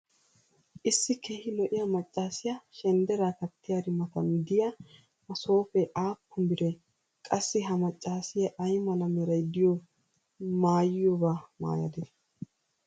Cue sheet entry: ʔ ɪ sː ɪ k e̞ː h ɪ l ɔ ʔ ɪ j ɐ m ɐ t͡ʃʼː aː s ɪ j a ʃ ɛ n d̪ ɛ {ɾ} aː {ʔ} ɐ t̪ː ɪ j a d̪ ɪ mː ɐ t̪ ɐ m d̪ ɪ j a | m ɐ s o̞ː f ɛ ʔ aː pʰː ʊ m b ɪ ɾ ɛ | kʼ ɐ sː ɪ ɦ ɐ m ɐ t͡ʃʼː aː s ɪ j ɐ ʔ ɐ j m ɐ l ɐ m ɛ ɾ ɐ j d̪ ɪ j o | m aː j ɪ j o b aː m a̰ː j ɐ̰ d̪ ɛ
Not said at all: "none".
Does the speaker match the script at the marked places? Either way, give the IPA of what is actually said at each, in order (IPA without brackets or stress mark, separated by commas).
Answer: ɾ, k